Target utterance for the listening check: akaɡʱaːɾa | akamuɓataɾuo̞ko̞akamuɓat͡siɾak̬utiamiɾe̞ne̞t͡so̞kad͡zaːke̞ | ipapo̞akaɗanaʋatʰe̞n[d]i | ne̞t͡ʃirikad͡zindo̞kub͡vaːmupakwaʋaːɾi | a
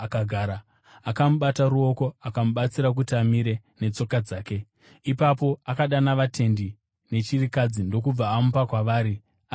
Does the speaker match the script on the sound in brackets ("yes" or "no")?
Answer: yes